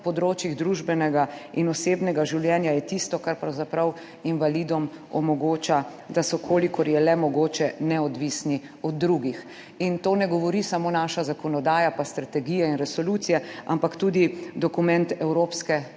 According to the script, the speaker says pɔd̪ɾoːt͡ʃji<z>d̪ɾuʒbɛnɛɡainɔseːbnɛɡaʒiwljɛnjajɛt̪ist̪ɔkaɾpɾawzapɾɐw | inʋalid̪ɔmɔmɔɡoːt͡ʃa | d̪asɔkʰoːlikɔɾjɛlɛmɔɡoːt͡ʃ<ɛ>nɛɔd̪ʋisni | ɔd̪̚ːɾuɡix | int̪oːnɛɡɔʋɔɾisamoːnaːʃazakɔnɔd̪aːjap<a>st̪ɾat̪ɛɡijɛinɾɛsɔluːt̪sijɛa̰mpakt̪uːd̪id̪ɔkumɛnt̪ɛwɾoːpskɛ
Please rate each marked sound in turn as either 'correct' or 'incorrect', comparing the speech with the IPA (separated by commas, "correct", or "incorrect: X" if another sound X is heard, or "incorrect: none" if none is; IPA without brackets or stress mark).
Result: incorrect: ɣ, correct, correct